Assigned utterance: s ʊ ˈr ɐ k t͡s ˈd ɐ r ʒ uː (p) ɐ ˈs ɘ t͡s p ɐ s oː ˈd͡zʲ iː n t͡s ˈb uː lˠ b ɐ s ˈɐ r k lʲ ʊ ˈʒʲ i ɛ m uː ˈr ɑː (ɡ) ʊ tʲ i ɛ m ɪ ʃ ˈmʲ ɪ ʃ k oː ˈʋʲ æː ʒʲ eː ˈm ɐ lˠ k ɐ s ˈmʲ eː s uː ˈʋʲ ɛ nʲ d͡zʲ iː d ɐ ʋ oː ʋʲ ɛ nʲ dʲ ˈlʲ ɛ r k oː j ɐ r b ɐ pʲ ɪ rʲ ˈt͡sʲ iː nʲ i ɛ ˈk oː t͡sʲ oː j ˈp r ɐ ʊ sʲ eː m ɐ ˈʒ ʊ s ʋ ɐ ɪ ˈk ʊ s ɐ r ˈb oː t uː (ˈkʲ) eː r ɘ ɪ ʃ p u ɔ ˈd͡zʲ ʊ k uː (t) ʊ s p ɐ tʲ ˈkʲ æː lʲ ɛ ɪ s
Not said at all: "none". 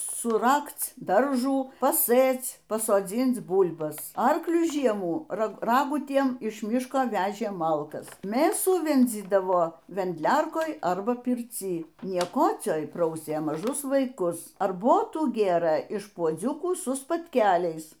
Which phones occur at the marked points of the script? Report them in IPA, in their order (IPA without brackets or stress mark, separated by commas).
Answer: p, ɡ, ɡʲ, s